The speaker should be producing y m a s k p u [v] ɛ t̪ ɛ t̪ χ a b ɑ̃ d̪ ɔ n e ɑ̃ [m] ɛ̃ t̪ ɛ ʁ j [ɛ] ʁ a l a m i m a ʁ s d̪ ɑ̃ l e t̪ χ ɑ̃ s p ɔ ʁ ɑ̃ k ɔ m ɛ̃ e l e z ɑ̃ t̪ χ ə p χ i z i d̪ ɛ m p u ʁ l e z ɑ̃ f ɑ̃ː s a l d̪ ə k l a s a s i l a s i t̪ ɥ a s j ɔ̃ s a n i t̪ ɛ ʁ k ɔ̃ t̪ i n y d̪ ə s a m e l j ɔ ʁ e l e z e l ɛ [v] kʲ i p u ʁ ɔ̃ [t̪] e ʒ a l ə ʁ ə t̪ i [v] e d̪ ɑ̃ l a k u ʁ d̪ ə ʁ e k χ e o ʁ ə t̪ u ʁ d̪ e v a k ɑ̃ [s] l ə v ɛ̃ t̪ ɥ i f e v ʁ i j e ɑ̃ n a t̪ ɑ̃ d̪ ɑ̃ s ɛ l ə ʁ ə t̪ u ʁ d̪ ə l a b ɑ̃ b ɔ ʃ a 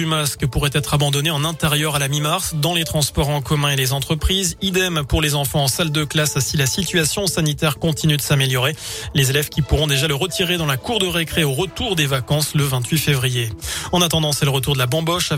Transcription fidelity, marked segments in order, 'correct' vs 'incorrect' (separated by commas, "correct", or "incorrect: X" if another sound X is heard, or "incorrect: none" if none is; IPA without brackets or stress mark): incorrect: ʁ, incorrect: n, incorrect: œ, correct, incorrect: d̪, incorrect: ʁ, correct